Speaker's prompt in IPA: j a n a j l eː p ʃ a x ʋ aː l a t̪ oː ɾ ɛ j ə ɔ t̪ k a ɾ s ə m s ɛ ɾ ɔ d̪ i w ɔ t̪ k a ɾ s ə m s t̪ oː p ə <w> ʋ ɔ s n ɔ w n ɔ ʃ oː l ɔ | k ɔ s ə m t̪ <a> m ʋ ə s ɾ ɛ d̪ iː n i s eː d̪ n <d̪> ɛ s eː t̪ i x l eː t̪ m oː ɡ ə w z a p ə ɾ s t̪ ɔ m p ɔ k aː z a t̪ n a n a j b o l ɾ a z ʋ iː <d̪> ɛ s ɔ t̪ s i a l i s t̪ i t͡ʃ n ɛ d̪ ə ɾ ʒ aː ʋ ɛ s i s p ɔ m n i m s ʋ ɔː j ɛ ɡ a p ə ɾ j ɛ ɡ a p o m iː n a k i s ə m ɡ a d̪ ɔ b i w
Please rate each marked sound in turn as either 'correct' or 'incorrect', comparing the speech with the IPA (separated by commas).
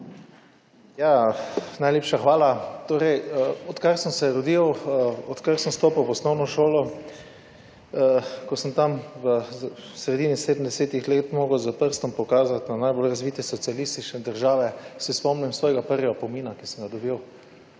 correct, correct, correct, incorrect